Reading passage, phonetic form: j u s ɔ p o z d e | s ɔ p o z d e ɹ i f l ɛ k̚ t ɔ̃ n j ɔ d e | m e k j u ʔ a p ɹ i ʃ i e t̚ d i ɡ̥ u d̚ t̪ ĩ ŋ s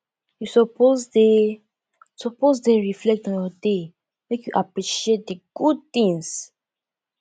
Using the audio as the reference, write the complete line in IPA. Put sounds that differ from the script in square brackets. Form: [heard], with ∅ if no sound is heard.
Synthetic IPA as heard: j u s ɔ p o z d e | s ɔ p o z d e ɹ i f l ɛ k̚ t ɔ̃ n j ɔ d e | m e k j u ʔ a p ɹ i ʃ i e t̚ d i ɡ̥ u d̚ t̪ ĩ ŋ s